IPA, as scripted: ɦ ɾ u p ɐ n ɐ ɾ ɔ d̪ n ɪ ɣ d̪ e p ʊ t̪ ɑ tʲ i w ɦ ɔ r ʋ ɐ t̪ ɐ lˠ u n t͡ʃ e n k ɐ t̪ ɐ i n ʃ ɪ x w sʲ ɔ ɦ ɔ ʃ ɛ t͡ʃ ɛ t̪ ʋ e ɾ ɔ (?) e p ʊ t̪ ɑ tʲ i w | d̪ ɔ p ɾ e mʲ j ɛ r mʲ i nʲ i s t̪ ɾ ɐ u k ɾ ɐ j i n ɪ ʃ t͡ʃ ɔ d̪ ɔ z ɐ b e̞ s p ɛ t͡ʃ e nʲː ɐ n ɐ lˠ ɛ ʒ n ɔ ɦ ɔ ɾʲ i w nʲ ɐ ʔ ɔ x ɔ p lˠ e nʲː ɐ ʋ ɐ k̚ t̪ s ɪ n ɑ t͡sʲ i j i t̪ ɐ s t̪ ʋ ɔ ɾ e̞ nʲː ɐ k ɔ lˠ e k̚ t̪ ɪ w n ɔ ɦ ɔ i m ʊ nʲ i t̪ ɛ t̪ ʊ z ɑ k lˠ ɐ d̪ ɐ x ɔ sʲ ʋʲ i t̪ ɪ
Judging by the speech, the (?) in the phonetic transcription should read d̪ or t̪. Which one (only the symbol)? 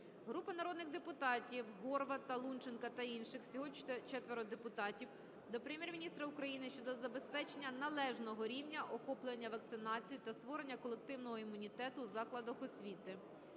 d̪